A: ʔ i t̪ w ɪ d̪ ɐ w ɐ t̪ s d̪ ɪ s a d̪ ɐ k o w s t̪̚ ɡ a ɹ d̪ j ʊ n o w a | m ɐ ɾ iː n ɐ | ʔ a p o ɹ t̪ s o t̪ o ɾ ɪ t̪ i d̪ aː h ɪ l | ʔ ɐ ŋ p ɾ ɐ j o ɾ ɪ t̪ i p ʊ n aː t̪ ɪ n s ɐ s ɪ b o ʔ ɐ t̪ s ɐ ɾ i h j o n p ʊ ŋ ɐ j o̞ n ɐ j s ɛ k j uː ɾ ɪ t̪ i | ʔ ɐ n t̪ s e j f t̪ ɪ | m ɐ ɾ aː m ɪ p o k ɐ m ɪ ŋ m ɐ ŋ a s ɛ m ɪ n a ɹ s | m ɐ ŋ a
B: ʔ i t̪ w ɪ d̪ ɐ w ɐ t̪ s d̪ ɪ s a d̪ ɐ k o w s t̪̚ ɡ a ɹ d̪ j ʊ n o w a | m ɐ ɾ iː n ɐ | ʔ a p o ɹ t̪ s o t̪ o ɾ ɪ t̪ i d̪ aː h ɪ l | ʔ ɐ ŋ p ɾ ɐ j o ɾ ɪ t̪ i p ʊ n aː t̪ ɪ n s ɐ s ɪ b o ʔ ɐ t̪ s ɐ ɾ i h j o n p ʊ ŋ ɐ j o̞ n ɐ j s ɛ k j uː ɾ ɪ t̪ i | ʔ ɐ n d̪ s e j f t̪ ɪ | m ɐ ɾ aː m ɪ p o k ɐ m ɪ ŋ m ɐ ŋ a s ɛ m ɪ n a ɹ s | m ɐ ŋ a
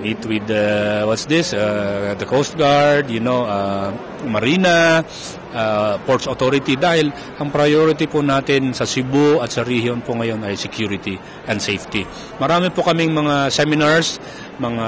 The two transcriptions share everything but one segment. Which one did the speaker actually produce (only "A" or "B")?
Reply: B